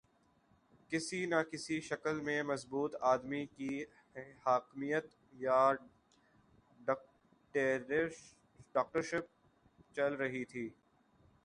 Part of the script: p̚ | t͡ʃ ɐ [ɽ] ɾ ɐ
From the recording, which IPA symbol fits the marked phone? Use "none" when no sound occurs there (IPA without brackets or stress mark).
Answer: l